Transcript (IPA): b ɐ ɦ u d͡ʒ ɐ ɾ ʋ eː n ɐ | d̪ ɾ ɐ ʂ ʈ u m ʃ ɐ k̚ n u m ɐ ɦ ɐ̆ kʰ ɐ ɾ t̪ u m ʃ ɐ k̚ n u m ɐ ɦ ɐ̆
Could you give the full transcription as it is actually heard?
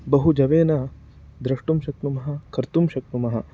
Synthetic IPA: b ɐ ɦ u d͡ʒ ɐ ʋ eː n ɐ | d̪ ɾ ɐ ʂ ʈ u m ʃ ɐ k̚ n u m ɐ ɦ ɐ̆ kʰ ɐ ɾ t̪ u m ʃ ɐ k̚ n u m ɐ ɦ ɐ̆